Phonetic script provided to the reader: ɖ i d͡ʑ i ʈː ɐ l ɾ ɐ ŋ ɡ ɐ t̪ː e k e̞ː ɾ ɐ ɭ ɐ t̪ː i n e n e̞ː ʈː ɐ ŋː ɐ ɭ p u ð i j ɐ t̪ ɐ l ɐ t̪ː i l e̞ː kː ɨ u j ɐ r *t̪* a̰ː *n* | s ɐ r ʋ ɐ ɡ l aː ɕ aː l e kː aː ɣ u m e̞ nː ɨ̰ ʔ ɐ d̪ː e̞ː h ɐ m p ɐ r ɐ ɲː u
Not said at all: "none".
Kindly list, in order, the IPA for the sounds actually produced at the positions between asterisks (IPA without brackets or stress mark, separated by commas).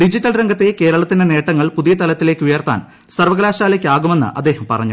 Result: t̪, n